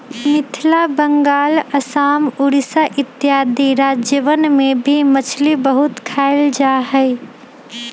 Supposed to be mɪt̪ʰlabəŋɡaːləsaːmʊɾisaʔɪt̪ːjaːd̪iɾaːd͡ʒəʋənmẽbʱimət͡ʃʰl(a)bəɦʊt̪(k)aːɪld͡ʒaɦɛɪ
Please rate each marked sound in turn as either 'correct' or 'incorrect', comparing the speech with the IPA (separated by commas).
incorrect, incorrect